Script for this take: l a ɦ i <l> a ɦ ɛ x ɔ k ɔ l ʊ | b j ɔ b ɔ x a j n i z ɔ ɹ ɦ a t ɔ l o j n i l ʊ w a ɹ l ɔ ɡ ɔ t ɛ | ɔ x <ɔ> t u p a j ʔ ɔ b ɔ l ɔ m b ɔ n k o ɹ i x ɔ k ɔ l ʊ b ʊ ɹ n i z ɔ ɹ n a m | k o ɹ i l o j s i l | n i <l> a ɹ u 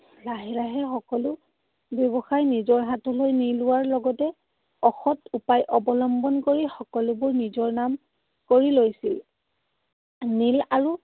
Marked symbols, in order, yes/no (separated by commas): no, yes, yes